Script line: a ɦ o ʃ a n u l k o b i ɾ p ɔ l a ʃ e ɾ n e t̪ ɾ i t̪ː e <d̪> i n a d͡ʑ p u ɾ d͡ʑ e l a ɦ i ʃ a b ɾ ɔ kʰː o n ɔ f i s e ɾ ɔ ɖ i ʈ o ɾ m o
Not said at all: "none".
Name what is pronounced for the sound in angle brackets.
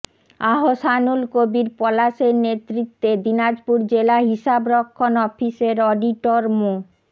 d̪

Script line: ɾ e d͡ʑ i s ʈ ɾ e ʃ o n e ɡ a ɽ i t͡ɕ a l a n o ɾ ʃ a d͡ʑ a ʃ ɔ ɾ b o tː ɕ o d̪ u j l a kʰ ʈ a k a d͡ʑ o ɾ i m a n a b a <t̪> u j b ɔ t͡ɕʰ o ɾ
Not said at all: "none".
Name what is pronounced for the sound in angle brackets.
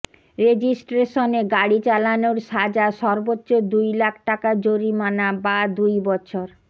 d̪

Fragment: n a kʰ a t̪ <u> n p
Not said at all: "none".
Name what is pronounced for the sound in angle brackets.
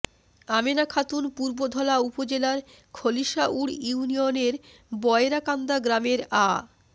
u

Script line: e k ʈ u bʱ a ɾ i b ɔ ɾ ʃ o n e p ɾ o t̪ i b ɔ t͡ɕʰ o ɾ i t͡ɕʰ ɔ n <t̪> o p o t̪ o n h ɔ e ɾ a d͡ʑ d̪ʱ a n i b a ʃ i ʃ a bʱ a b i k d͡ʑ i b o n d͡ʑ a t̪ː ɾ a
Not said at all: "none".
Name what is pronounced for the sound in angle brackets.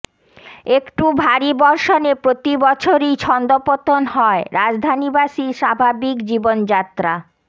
d̪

